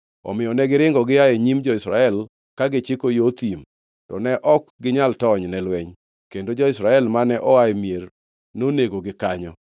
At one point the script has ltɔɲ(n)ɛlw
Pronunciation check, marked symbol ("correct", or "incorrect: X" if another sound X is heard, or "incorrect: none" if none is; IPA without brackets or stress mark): correct